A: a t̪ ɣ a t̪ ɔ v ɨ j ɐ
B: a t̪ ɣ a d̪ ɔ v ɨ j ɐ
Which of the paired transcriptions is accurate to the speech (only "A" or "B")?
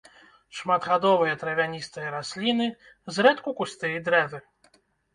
B